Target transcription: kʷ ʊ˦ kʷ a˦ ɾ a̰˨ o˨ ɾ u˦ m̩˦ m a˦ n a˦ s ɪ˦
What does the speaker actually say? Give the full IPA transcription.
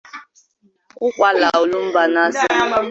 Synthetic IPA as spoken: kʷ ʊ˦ kʷ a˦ l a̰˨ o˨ l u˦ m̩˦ b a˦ n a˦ s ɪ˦